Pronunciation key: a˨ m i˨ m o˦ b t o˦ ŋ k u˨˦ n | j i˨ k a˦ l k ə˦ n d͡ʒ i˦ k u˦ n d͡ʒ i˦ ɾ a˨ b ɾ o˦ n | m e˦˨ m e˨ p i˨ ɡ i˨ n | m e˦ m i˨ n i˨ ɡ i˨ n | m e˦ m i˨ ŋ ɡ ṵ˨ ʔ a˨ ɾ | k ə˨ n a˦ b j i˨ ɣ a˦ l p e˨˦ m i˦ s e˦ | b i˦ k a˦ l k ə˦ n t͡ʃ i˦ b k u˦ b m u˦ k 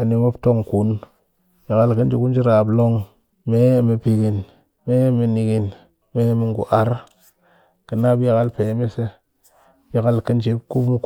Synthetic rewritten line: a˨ n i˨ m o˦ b t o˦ ŋ k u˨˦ n | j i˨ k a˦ l k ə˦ n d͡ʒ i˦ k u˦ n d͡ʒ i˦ ɾ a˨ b l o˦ ŋ | m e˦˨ m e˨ p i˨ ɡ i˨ n | m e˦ m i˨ n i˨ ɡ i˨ n | m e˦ m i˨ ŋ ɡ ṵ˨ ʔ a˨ ɾ | k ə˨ n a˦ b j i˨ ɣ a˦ l p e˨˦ m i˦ s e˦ | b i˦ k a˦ l k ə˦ n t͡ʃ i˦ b k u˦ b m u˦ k